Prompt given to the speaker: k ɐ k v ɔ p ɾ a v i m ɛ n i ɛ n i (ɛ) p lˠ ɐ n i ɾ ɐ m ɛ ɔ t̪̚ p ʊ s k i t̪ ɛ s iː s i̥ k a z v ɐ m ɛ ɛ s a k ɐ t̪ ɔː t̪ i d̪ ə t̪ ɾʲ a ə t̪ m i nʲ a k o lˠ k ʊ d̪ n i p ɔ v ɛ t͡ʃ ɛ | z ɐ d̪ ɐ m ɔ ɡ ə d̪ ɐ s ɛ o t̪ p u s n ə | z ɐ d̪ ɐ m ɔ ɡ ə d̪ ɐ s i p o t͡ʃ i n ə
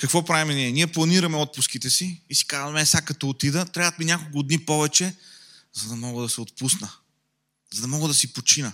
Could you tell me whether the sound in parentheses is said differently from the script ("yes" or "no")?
no